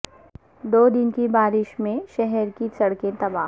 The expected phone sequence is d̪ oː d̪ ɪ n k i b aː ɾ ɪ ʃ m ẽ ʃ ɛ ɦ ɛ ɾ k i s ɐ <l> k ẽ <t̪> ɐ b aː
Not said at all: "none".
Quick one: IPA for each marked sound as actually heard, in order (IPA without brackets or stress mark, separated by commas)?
ɽ, t̪